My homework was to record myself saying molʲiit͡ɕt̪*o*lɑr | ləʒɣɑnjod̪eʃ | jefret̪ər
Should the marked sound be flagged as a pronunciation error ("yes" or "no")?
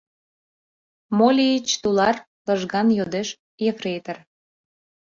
yes